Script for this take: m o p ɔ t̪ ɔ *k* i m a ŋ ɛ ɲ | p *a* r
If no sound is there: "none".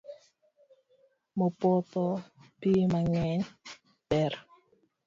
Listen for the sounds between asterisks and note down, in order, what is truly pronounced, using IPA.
p, ɛ

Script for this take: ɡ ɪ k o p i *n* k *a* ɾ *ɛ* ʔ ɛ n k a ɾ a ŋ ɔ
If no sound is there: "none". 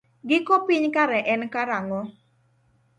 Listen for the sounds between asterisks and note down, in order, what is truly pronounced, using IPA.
ɲ, a, ɛ

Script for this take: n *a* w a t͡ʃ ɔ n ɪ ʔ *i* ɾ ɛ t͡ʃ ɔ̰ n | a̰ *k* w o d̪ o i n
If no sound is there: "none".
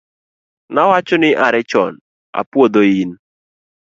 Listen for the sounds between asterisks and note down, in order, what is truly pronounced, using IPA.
a, a, p

